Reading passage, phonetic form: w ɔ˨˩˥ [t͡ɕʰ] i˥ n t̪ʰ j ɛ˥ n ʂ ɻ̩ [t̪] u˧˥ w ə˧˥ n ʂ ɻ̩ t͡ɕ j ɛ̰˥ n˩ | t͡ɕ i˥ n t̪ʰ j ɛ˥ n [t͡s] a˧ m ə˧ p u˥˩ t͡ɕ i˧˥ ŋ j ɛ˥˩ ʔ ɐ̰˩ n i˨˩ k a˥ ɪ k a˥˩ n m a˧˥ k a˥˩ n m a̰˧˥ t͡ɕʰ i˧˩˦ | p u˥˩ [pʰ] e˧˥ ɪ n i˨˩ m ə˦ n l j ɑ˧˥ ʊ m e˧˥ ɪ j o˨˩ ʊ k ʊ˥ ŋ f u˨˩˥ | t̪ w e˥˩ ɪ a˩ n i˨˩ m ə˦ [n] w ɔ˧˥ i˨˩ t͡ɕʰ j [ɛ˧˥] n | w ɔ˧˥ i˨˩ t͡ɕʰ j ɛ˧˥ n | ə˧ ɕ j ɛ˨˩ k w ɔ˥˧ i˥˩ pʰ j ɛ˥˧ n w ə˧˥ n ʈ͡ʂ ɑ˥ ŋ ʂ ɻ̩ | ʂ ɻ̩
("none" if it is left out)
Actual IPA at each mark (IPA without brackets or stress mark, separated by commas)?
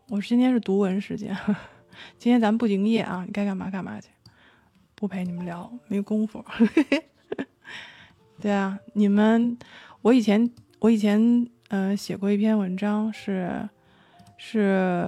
t͡ɕ, t̪, t͡s, pʰ, n, ɛ˧˥